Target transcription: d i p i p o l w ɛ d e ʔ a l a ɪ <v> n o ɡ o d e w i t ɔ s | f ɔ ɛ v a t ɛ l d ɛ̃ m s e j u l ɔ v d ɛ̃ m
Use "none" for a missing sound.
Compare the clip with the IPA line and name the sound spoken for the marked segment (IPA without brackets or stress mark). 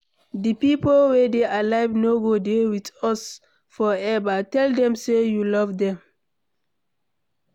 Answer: v